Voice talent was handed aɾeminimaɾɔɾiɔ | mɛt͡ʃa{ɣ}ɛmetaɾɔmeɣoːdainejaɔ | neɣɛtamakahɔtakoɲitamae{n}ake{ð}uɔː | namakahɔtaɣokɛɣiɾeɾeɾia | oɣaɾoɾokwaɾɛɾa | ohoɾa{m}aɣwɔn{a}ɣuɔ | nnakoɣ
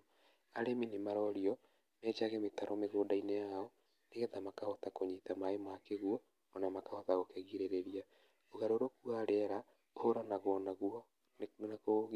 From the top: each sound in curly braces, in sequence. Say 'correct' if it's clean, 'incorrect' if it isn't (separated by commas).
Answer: correct, incorrect, incorrect, incorrect, correct